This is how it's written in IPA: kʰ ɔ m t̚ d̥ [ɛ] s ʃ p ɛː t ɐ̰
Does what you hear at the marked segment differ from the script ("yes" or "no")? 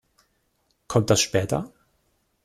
yes